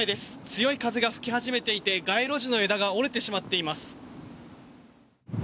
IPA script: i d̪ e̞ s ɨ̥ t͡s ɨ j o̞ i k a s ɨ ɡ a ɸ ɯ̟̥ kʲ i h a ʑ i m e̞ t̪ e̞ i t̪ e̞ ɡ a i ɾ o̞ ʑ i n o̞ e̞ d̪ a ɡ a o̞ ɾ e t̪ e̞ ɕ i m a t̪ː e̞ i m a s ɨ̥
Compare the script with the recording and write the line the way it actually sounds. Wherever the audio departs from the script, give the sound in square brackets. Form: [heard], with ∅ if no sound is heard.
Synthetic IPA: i d̪ e̞ s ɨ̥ t͡s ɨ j o̞ i k a [z] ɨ ɡ a ɸ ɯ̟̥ kʲ i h a ʑ i m e̞ t̪ e̞ i t̪ e̞ ɡ a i ɾ o̞ ʑ i n o̞ e̞ d̪ a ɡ a o̞ ɾ e t̪ e̞ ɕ i m a t̪ː e̞ i m a s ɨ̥